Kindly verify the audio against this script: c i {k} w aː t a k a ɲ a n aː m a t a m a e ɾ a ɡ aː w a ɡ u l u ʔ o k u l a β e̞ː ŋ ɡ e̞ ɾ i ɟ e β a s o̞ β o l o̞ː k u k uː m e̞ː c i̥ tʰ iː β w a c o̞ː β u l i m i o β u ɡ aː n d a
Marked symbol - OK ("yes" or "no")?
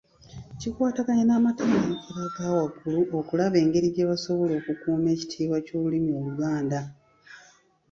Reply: yes